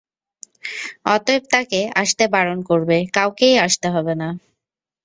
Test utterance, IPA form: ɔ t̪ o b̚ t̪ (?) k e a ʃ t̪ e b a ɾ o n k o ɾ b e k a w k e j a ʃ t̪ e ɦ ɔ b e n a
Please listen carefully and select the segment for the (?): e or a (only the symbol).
a